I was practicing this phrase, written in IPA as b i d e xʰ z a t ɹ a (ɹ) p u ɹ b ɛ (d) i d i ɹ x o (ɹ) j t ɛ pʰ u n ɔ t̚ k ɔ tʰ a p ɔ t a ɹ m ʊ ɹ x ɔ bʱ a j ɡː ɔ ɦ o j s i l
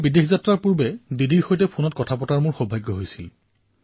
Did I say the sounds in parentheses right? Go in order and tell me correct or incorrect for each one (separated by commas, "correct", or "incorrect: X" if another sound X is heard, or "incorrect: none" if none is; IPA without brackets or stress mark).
correct, correct, incorrect: none